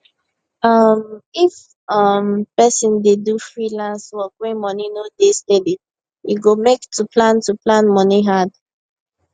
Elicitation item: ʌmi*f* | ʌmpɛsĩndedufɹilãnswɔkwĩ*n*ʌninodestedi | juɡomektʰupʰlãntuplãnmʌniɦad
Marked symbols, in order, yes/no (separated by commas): yes, no